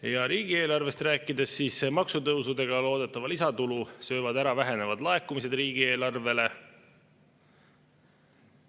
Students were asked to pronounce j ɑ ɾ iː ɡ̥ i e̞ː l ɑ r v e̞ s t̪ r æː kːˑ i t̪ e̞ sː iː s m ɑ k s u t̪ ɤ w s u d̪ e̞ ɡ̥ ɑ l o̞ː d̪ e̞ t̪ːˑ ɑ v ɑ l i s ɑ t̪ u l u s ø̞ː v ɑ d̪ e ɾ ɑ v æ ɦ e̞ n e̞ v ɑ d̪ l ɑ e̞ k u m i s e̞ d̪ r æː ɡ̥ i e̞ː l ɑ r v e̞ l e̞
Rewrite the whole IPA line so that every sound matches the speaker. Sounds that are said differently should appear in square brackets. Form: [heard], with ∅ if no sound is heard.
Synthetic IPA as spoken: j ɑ ɾ iː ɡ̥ i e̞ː l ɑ r v e̞ s t̪ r æː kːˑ i [d̪] e̞ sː iː s m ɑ k s u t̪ ɤ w s u d̪ e̞ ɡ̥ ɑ l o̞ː d̪ e̞ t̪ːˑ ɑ v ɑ l i s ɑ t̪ u l u s ø̞ː v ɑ d̪ [æ] ɾ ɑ v æ ɦ e̞ n e̞ v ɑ d̪ l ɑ e̞ k u m i s e̞ d̪ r [iː] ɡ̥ i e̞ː l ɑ r v e̞ l e̞